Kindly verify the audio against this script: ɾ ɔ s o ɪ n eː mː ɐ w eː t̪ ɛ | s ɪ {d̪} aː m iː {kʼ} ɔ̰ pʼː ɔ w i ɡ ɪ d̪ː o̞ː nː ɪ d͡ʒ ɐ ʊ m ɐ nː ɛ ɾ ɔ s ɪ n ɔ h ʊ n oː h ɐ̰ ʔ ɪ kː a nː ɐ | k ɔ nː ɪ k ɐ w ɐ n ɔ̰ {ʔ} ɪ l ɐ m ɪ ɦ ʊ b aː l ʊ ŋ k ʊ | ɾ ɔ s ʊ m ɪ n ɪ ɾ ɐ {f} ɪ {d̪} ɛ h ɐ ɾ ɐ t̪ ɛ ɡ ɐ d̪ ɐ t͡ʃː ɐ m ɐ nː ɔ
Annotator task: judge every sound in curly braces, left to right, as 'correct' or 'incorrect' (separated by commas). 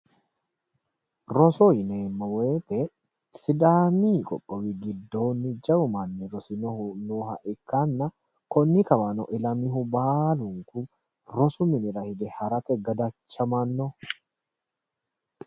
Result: correct, correct, correct, incorrect, correct